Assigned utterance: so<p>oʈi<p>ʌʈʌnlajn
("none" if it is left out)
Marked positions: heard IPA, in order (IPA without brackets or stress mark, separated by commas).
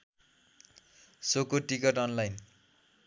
k, k